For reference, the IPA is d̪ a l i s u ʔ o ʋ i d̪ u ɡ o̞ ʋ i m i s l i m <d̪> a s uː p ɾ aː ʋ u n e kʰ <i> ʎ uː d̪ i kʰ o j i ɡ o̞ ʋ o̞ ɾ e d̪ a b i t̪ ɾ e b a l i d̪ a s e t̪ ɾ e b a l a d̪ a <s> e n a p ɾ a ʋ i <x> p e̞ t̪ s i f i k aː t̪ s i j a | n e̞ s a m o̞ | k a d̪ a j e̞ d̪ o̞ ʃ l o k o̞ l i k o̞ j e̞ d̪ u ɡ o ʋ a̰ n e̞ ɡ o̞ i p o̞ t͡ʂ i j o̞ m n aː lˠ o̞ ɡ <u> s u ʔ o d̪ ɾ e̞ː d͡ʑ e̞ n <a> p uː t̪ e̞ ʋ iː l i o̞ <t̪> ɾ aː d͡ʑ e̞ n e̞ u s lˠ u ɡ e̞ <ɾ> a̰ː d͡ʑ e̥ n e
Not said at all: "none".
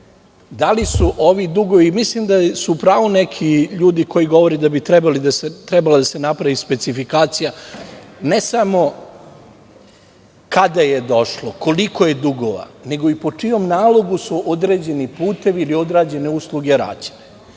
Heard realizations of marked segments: d̪, i, s, s, u, i, d̪, ɾ

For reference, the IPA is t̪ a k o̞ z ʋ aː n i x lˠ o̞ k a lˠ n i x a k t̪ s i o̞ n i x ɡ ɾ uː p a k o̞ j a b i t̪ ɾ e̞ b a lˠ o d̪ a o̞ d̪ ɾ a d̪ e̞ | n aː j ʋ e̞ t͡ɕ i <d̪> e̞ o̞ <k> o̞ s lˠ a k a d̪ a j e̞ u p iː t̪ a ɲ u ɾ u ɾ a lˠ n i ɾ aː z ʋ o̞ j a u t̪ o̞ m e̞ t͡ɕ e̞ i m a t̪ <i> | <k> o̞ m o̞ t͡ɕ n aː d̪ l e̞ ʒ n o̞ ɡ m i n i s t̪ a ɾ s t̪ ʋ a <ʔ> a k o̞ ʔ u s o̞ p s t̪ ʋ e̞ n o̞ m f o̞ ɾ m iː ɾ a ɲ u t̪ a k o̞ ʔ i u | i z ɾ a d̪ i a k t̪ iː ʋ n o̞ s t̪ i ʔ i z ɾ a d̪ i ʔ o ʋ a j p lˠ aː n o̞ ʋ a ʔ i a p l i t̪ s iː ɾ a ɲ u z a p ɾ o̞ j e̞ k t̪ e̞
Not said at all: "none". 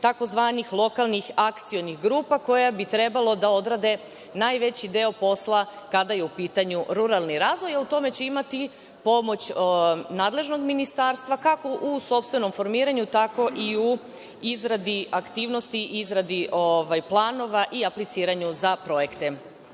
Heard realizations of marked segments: d̪, p, i, p, k

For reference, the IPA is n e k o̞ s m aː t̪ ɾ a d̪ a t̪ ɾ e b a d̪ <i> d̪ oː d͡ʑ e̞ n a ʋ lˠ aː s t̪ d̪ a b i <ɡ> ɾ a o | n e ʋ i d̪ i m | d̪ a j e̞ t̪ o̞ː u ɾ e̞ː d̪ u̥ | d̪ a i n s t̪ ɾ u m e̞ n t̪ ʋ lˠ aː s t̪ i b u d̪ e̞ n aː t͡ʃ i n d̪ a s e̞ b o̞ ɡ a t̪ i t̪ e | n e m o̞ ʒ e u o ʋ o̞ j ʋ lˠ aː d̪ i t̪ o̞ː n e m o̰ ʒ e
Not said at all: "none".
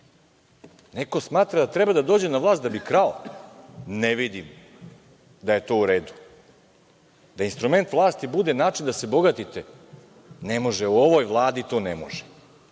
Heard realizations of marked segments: a, k

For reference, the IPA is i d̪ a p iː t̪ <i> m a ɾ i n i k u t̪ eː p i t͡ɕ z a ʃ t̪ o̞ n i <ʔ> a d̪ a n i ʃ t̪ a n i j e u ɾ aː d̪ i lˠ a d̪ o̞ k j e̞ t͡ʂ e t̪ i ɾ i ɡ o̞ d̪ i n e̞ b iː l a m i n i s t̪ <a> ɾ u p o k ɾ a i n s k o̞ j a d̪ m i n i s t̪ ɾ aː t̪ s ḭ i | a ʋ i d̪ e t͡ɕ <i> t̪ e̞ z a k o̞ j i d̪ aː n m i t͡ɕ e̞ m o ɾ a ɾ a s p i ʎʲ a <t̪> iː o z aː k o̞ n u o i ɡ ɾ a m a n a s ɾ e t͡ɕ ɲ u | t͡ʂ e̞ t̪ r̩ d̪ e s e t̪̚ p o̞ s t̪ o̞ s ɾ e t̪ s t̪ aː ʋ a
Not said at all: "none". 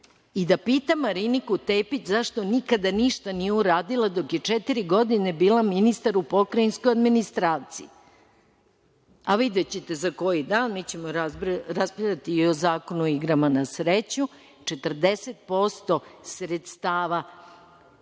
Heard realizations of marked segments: a, k, a, e, t̪

